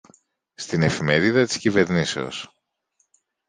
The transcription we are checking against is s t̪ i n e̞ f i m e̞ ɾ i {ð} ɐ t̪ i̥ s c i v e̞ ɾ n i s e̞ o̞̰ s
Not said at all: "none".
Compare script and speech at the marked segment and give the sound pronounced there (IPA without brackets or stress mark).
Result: ð